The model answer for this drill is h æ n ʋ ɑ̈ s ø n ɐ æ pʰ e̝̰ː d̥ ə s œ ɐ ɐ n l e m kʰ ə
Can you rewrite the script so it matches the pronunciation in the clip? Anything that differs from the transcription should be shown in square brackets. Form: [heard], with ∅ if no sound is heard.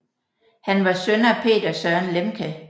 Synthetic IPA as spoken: h æ n ʋ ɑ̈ s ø n ɐ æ pʰ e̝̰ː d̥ [ɐ] s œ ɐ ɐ n l e m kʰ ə